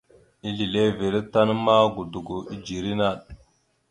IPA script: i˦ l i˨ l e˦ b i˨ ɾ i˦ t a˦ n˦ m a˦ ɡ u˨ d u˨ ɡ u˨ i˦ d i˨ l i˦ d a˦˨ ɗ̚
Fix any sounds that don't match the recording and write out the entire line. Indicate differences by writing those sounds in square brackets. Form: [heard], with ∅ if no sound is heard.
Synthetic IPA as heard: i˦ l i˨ l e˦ [v] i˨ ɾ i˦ t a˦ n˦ m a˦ ɡ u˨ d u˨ ɡ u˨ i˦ [d͡ʒ] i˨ [ɾ] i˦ [n] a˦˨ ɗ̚